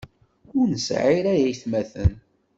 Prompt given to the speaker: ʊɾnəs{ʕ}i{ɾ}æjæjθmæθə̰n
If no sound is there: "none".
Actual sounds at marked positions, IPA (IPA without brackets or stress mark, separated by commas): ʕ, ɾ